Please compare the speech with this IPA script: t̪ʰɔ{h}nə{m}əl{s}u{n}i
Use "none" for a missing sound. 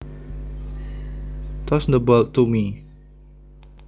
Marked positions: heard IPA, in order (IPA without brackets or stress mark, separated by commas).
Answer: s, b, t, m